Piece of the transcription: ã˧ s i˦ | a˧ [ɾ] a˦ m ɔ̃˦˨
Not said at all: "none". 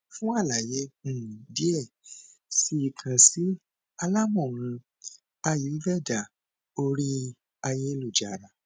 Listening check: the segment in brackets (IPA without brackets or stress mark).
l